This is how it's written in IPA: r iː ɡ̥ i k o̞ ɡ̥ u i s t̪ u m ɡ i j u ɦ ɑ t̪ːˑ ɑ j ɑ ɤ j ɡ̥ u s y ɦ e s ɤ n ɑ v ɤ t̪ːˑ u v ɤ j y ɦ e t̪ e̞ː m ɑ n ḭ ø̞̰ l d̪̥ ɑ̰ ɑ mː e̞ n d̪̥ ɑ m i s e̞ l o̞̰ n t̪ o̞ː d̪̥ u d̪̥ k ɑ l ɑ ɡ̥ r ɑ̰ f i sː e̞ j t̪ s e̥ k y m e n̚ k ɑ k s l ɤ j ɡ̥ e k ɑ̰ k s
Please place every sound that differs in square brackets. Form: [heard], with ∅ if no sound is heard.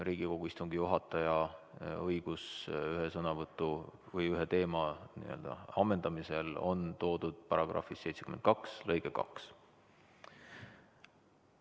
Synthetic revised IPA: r iː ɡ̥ i k o̞ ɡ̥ u i s t̪ u [ŋ] ɡ i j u ɦ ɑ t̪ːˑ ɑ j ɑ ɤ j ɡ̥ u s y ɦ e s ɤ n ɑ v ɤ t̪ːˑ u v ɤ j y ɦ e t̪ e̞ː m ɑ n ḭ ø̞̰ l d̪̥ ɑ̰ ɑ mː e̞ n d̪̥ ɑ m i s e̞ l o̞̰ n t̪ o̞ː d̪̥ u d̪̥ [p] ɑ [ɾ] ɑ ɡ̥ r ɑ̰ f i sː e̞ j t̪ s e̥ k y m e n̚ k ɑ k s l ɤ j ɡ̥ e k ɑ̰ k s

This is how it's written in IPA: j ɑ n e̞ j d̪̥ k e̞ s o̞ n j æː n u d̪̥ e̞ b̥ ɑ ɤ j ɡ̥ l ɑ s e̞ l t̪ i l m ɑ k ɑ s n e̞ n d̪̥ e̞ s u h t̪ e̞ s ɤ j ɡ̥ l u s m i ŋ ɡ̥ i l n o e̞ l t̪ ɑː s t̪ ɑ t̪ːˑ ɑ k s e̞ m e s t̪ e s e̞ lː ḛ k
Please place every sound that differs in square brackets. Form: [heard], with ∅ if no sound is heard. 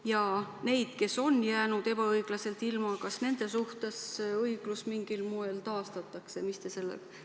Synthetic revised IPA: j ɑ n e̞ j d̪̥ k e̞ s o̞ n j æː n u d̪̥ e̞ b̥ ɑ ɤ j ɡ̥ l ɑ s e̞ l t̪ i l m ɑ k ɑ s n e̞ n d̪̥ e̞ s u h t̪ e̞ s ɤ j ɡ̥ l u s m i ŋ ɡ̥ i l [m] o e̞ l t̪ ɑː s t̪ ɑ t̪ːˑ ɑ k s e̞ m [i] s t̪ e s e̞ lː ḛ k

